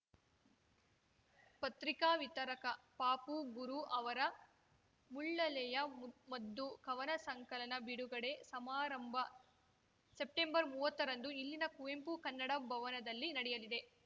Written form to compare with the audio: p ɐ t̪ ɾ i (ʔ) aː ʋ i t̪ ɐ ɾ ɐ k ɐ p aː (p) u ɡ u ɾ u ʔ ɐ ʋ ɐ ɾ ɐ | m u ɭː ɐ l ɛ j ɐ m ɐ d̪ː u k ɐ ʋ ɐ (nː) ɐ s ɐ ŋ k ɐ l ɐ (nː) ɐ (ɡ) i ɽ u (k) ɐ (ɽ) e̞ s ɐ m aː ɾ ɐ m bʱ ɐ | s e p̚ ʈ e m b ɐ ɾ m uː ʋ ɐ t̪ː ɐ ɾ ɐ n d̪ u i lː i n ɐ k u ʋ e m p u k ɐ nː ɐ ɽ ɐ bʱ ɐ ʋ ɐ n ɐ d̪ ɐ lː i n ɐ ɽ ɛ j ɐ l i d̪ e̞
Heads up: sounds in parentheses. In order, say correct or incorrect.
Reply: incorrect, correct, incorrect, incorrect, incorrect, incorrect, correct

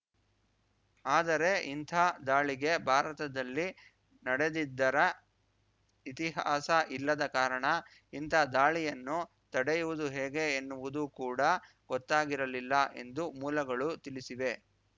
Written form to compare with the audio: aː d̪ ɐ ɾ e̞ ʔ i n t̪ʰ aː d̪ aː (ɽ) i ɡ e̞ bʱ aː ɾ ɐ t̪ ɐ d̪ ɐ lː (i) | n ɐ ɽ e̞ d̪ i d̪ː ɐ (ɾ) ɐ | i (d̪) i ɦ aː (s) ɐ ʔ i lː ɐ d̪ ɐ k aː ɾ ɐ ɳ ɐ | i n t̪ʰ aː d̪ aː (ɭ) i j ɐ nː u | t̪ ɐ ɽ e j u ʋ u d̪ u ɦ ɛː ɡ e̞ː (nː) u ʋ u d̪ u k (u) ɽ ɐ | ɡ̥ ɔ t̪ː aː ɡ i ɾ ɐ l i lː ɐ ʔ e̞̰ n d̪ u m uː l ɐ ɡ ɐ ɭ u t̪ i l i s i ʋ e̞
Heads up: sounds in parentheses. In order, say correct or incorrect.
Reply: incorrect, correct, correct, incorrect, correct, correct, correct, incorrect

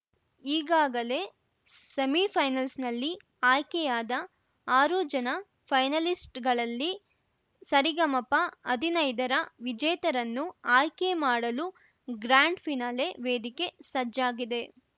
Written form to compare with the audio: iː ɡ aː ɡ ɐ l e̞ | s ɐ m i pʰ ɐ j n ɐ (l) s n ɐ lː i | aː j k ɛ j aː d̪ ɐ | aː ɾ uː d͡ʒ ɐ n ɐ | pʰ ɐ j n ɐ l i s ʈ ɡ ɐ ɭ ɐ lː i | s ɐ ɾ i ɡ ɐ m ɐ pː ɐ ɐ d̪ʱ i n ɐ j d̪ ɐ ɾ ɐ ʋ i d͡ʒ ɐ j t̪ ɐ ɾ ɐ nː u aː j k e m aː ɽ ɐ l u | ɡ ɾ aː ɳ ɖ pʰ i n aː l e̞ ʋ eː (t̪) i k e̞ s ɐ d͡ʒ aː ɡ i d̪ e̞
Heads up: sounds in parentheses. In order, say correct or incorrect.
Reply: correct, incorrect

